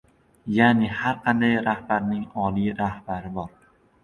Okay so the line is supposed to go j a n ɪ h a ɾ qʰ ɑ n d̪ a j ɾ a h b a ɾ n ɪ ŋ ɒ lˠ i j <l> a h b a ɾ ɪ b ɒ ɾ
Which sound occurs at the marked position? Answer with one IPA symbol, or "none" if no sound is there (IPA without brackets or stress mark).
ɾ